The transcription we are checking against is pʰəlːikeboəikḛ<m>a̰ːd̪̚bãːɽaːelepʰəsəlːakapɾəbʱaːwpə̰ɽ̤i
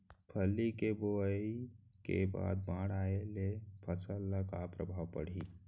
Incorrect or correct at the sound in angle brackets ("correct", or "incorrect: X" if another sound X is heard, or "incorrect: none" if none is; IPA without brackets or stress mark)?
incorrect: b